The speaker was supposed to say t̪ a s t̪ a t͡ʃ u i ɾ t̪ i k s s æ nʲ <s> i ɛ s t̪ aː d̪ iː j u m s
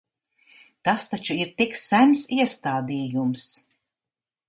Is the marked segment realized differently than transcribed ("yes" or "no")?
no